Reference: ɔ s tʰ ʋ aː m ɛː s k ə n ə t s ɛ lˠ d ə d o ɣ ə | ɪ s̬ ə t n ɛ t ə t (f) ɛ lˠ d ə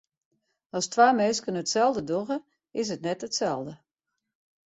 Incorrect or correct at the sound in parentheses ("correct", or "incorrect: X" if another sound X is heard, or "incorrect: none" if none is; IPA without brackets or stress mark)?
incorrect: s